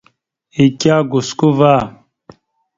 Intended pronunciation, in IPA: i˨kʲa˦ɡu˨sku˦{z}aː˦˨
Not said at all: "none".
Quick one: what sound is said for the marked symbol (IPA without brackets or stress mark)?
v